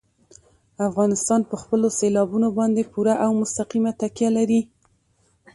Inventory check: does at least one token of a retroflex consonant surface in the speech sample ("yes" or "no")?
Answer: no